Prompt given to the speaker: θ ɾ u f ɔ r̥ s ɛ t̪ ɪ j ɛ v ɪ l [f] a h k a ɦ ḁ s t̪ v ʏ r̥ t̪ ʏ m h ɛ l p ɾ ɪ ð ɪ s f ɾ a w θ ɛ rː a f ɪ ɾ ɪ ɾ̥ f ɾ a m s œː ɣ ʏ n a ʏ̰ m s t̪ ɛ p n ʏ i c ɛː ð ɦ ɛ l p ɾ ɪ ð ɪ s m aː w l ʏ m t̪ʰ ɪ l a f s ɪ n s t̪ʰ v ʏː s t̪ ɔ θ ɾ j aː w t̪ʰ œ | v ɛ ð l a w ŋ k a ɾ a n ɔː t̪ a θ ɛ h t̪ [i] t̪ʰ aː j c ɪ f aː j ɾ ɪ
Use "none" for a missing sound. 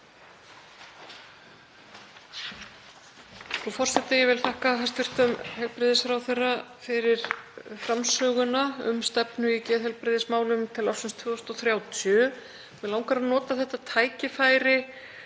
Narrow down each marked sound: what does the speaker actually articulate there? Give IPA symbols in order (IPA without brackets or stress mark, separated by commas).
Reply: θ, a